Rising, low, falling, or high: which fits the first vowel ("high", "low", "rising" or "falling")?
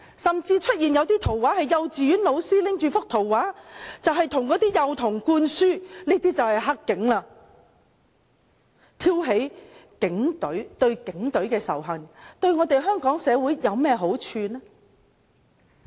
low